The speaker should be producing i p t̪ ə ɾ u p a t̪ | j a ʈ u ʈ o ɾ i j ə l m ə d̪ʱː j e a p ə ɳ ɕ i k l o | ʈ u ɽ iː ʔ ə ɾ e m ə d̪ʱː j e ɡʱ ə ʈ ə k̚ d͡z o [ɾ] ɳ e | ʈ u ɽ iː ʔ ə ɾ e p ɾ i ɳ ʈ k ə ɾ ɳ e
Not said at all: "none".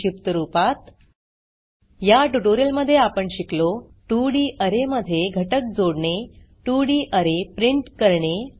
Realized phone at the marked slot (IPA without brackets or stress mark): ɽ